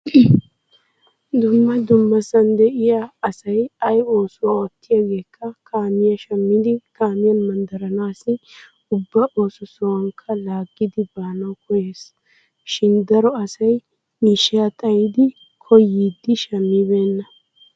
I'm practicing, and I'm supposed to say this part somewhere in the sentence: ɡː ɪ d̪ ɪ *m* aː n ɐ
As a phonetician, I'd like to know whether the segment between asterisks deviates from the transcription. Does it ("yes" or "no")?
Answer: yes